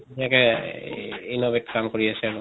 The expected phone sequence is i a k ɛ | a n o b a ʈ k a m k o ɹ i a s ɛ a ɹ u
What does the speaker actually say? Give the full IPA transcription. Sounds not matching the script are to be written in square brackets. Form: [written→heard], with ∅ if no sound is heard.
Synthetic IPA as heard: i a k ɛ | [a→i] n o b [a→e] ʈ k a m k o ɹ i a s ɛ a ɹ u